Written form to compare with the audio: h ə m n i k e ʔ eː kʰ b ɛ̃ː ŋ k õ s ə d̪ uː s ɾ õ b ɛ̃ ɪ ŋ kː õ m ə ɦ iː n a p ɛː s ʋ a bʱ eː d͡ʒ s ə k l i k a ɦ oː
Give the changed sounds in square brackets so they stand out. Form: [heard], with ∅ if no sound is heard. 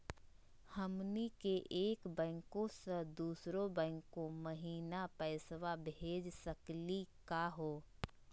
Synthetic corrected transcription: h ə m n i k e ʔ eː [k] b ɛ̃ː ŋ k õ s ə d̪ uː s ɾ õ b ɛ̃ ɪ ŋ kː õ m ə ɦ iː n a p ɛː s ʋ a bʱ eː d͡ʒ s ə k l i k a ɦ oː